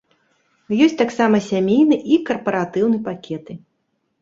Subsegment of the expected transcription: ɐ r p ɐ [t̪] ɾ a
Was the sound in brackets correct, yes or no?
no